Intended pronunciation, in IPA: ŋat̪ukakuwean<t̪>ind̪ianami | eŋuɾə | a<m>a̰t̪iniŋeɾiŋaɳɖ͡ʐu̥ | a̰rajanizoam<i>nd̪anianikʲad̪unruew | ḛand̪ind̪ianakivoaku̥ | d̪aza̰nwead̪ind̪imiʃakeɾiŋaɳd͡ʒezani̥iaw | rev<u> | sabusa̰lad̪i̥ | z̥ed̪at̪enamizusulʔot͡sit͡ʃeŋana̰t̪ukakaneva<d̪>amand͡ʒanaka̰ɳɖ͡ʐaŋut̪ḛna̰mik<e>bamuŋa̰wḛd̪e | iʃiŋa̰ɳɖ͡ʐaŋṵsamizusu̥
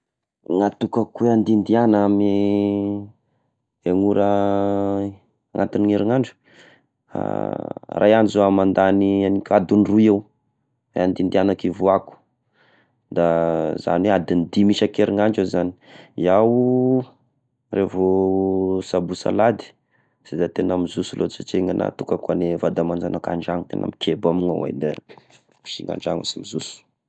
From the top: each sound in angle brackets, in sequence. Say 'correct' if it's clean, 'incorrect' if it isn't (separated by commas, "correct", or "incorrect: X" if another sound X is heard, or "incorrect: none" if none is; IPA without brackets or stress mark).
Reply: incorrect: d̪, incorrect: ŋ, incorrect: a, incorrect: o, correct, correct